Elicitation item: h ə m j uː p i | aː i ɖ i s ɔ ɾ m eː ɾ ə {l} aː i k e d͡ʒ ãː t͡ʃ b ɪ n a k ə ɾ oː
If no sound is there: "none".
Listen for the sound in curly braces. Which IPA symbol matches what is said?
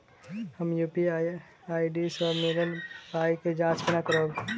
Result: l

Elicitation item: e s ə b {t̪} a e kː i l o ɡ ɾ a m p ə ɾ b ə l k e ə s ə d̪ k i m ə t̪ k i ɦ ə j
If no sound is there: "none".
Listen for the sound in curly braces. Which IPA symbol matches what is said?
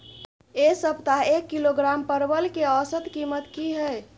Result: t̪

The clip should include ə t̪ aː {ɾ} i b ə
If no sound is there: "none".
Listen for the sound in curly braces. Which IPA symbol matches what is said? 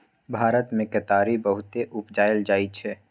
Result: ɾ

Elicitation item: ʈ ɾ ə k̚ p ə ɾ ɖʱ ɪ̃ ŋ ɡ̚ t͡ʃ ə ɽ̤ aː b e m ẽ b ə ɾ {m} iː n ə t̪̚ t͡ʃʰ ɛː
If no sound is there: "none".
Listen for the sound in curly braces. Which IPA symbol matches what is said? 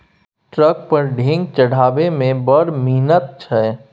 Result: m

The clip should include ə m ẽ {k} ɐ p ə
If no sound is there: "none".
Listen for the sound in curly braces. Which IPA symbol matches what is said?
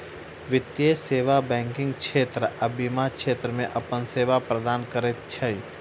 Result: ʔ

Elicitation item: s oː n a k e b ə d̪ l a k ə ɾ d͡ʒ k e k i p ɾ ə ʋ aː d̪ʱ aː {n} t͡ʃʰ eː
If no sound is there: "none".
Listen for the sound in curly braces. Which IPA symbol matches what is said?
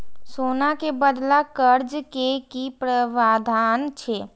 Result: n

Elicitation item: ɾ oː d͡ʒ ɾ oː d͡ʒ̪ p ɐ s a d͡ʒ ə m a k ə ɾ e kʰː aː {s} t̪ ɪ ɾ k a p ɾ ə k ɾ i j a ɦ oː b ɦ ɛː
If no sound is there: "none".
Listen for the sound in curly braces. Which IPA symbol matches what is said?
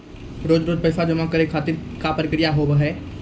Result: none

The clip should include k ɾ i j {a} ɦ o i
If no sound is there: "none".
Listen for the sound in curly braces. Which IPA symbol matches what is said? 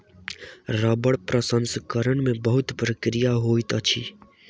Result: a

